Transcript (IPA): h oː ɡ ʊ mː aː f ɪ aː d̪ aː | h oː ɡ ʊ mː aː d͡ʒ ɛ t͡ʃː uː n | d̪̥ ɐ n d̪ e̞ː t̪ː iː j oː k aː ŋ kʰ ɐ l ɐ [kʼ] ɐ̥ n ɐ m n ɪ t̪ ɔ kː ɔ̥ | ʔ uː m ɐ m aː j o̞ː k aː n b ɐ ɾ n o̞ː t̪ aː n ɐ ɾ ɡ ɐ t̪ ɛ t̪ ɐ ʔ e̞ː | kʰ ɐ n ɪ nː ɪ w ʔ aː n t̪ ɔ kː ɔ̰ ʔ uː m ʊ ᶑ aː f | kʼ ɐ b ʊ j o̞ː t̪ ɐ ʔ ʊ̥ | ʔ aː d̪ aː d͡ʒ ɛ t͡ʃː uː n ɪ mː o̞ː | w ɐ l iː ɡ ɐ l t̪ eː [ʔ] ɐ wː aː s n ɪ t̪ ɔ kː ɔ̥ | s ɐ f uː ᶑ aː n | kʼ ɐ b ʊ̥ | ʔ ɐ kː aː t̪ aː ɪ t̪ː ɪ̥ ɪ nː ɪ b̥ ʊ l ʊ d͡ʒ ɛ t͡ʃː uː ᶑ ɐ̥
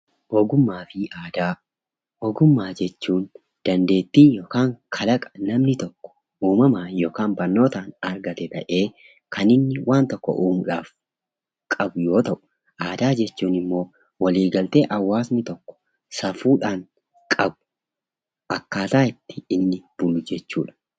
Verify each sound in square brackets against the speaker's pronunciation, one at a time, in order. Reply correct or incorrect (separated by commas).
correct, correct